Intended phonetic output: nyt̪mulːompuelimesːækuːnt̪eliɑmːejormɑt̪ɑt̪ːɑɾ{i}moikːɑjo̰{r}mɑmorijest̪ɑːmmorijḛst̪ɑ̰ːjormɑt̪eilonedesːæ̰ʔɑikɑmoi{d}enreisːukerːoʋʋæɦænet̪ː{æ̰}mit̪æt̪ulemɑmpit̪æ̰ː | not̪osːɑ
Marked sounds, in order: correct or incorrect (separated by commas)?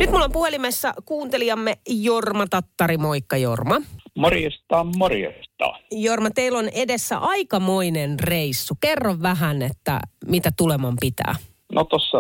correct, correct, incorrect, correct